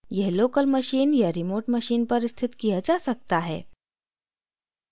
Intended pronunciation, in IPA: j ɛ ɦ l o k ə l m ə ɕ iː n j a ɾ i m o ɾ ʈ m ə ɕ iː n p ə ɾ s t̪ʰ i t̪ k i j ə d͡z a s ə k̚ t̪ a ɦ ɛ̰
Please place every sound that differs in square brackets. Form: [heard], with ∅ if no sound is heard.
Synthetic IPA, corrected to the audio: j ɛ ɦ l o k ə l m ə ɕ iː n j a ɾ i m o ɾ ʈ m ə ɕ iː n p ə ɾ s t̪ʰ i t̪ k i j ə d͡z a s ə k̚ t̪ a ɦ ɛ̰